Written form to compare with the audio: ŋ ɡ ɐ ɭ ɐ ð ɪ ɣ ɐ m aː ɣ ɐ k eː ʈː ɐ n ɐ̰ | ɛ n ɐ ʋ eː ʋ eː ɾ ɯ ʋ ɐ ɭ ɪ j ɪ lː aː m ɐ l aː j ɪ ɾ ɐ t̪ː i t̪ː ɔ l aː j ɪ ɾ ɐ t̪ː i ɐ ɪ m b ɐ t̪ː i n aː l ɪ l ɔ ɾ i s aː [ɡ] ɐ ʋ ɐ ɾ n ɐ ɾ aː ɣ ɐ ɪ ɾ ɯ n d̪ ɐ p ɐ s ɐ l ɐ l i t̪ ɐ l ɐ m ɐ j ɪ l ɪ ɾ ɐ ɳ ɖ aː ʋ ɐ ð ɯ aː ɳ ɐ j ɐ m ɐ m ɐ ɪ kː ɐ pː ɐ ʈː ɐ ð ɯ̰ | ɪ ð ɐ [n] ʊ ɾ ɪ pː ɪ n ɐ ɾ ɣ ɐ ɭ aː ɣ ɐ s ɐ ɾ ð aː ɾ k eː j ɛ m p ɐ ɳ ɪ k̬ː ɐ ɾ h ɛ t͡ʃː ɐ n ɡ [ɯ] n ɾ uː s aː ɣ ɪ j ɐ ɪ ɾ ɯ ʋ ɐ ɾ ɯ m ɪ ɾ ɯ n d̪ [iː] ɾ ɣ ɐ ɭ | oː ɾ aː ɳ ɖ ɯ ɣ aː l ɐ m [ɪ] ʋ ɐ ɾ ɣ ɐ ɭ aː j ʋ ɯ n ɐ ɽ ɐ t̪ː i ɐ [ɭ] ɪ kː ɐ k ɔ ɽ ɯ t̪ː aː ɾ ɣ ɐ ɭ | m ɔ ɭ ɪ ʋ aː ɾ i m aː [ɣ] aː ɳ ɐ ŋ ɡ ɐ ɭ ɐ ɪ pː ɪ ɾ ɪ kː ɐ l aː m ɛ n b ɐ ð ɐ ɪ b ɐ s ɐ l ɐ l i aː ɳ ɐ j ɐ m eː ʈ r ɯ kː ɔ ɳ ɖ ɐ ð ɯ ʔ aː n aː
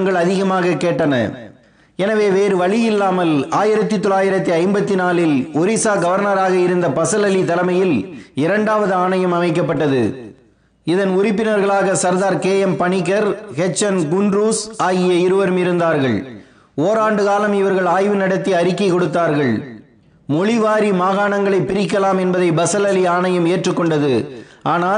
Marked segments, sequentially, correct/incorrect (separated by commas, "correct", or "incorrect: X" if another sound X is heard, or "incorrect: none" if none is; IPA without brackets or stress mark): correct, correct, incorrect: ʊ, incorrect: aː, correct, incorrect: ɾ, correct